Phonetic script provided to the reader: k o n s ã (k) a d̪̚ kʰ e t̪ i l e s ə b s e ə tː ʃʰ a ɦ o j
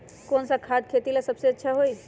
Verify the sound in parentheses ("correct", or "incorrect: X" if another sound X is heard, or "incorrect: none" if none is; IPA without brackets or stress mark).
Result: incorrect: kʰ